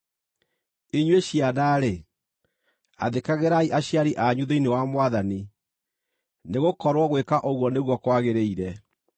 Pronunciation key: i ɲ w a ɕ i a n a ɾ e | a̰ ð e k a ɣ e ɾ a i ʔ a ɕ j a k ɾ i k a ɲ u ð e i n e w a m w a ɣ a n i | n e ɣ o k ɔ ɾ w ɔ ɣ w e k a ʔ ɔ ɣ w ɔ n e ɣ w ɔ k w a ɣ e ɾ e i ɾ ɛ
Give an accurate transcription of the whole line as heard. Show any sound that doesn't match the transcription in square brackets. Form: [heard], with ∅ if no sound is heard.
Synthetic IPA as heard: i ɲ w [e] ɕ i a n a ɾ e | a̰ ð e k a ɣ e ɾ a i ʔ a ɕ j a [∅] ɾ i [ʔ] a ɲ u ð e i n e w a m w a [ð] a n i | n e ɣ o k ɔ ɾ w ɔ ɣ w e k a ʔ [o] ɣ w ɔ n e ɣ w ɔ k w a ɣ e ɾ e i ɾ ɛ